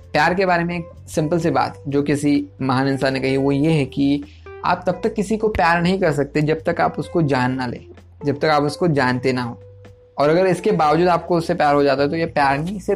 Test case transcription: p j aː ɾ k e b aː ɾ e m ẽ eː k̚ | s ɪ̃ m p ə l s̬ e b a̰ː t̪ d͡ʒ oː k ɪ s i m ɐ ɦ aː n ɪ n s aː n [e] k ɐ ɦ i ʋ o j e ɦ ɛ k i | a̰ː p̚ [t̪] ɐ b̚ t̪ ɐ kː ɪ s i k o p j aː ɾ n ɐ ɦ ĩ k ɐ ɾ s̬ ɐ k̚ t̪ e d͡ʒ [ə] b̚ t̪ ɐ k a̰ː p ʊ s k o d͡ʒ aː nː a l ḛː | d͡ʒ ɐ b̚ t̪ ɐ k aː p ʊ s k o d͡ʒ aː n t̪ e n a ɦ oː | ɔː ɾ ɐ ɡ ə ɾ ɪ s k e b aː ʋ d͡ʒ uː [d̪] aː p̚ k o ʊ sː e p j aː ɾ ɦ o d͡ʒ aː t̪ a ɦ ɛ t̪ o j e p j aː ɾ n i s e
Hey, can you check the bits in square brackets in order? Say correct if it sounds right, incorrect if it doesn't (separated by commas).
correct, correct, incorrect, correct